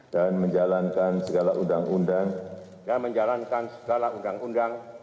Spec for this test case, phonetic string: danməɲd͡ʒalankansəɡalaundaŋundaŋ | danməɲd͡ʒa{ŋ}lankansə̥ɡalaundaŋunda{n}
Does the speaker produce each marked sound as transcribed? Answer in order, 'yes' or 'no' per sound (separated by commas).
no, no